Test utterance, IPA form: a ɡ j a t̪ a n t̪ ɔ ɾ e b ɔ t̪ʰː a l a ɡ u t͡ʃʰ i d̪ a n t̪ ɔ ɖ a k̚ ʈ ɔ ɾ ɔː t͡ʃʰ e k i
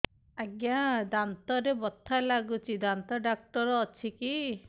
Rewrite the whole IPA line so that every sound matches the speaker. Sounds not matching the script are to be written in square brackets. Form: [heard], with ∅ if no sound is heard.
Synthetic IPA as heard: a ɡ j a [d̪] a n t̪ ɔ ɾ e b ɔ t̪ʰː a l a ɡ u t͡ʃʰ i d̪ a n t̪ ɔ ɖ a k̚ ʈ ɔ ɾ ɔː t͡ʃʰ [i] k i